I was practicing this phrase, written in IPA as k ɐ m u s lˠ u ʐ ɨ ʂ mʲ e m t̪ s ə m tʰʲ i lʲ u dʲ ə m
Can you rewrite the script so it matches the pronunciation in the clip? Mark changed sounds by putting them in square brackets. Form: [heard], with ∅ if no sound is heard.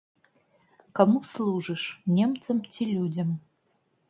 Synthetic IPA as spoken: k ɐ m u s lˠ u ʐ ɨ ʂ [nʲ] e m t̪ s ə m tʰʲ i lʲ u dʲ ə m

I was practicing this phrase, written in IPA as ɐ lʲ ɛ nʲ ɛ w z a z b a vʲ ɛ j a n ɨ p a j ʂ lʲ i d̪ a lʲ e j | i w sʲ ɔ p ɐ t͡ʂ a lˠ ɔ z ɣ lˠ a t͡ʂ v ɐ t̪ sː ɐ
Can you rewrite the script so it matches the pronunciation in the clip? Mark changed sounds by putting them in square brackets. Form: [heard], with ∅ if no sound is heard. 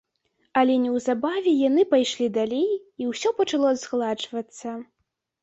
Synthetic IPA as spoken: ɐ lʲ ɛ nʲ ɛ w z a [∅] b a vʲ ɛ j a n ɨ p a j ʂ lʲ i d̪ a lʲ e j | i w sʲ ɔ p ɐ t͡ʂ a lˠ ɔ z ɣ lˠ a t͡ʂ v ɐ t̪ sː ɐ

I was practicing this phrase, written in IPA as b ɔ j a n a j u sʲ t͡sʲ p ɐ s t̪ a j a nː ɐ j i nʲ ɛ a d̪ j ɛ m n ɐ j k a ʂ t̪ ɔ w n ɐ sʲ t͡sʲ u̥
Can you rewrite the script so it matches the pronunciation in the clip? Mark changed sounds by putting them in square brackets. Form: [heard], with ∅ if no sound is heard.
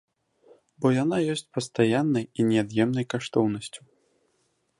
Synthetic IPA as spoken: b ɔ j a n a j [ɔ] sʲ t͡sʲ p ɐ s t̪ a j a nː ɐ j i nʲ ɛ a d̪ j ɛ m n ɐ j k a ʂ t̪ ɔ w n ɐ sʲ t͡sʲ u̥

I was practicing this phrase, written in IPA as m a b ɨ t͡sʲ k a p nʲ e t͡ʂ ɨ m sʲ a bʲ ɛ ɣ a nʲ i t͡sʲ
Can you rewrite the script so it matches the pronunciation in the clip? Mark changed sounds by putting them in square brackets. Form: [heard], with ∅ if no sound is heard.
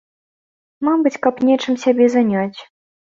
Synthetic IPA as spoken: m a b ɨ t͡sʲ k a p nʲ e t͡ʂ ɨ m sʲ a bʲ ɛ [z] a nʲ [a] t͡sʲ

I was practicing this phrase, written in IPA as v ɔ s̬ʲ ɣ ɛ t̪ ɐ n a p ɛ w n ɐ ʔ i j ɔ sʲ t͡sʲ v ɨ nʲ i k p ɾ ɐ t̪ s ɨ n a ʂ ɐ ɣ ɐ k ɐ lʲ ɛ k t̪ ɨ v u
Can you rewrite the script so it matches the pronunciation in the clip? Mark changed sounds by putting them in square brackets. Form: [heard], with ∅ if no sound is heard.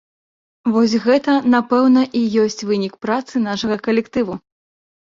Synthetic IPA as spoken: v ɔ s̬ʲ ɣ ɛ t̪ ɐ n a p ɛ w n ɐ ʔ i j ɔ sʲ t͡sʲ v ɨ nʲ i k p ɾ [a] t̪ s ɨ n a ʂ ɐ ɣ ɐ k ɐ lʲ ɛ k t̪ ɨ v u

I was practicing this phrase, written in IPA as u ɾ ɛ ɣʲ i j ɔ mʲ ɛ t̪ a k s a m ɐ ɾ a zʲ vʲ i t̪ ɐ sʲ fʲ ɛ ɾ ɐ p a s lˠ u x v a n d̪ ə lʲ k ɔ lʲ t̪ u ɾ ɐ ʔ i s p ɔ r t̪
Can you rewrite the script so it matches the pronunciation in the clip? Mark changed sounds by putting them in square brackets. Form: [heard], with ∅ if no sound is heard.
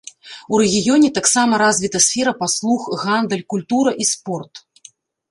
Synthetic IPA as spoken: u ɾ ɛ ɣʲ i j ɔ [nʲ] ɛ t̪ a k s a m ɐ ɾ a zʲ vʲ i t̪ ɐ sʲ fʲ ɛ ɾ ɐ p a s lˠ u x [ɣ] a n d̪ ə lʲ k [u] lʲ t̪ u ɾ ɐ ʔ i s p ɔ r t̪

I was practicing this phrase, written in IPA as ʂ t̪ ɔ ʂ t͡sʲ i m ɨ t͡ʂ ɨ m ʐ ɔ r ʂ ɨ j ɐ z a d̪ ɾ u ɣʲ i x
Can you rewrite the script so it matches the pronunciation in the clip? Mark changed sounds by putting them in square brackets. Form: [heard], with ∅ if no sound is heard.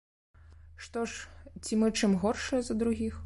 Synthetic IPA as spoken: ʂ t̪ ɔ ʂ t͡sʲ i m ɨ t͡ʂ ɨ m [ɣ] ɔ r ʂ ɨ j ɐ z [ɐ] d̪ ɾ u ɣʲ i x

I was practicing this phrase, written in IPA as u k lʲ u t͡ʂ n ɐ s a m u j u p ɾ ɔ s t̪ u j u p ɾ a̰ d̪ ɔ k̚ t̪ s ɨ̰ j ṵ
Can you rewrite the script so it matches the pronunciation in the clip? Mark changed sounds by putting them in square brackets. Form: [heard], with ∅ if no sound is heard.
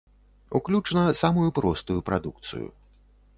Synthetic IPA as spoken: u k lʲ u t͡ʂ n ɐ s a m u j u p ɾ ɔ s t̪ u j u p ɾ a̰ d̪ [u] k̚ t̪ s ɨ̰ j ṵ

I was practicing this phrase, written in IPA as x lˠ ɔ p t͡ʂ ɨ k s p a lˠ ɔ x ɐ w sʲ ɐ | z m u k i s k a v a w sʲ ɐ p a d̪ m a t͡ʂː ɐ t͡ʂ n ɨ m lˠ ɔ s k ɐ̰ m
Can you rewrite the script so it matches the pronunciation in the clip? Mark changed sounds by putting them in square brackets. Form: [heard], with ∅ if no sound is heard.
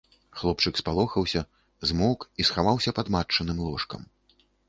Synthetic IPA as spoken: x lˠ ɔ p t͡ʂ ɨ k s p a lˠ ɔ x ɐ w sʲ ɐ | z m [ɔ] k i s [x] a v a w sʲ ɐ p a d̪ m a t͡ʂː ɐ [∅] n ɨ m lˠ ɔ [ʂ] k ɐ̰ m

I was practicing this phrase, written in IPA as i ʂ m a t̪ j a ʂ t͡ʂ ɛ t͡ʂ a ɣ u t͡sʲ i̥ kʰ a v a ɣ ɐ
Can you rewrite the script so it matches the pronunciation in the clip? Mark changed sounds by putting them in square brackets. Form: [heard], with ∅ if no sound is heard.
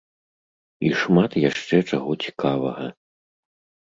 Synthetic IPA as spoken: i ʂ m a t̪ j a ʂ t͡ʂ ɛ t͡ʂ a ɣ [ɔ] t͡sʲ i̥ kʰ a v [ɐ] ɣ ɐ

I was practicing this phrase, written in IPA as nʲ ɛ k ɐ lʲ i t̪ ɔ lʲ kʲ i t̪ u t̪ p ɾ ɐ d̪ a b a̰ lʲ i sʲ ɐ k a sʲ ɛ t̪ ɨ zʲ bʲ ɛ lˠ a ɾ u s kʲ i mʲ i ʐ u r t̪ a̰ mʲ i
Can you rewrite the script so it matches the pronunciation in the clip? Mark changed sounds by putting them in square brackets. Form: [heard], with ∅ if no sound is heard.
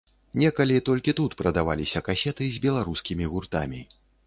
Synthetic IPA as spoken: nʲ ɛ k ɐ lʲ i t̪ ɔ lʲ kʲ i t̪ u t̪ p ɾ ɐ d̪ a [v] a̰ lʲ i sʲ ɐ k a sʲ ɛ t̪ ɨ zʲ bʲ ɛ lˠ a ɾ u s kʲ i mʲ i [ɣ] u r t̪ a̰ mʲ i

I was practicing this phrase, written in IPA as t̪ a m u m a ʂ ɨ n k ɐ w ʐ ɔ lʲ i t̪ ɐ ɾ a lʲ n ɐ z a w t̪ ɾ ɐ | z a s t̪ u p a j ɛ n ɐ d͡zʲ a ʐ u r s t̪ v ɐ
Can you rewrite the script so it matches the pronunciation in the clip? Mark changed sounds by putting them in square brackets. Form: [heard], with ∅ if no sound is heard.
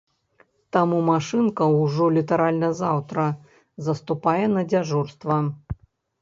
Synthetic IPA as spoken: t̪ a m u m a ʂ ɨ n k ɐ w ʐ ɔ lʲ i t̪ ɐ ɾ a lʲ n ɐ z a w t̪ ɾ ɐ | z [ɐ] s t̪ u p a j ɛ n ɐ d͡zʲ a ʐ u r s t̪ v ɐ

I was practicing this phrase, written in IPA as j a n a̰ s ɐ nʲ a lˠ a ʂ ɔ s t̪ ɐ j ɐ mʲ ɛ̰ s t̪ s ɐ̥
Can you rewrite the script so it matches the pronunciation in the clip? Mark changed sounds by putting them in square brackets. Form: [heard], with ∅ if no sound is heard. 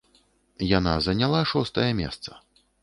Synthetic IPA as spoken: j a n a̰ [z] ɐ nʲ a lˠ a ʂ ɔ s t̪ ɐ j ɐ mʲ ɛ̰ s t̪ s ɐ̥

